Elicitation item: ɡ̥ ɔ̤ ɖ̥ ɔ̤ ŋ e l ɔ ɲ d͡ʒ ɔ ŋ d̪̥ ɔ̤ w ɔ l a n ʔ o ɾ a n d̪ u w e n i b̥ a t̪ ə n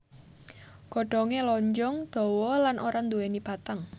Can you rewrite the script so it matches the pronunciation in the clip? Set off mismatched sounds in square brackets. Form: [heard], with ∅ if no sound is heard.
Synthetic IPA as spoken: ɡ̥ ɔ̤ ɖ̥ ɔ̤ ŋ e l ɔ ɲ d͡ʒ ɔ ŋ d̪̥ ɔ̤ w ɔ l a n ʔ o ɾ a n d̪ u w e n i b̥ a t̪ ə [ŋ]